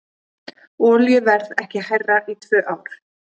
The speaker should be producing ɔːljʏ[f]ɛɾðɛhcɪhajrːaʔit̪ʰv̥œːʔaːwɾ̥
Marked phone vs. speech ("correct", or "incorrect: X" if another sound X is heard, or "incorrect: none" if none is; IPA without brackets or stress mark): incorrect: v